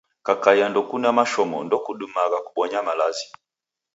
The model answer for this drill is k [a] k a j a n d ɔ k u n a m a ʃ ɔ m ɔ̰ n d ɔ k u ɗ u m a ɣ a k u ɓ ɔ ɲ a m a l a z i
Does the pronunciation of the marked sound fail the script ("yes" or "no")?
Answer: no